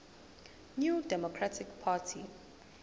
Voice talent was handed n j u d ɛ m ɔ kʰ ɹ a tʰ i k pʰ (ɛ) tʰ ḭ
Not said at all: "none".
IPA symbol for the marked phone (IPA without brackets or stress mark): a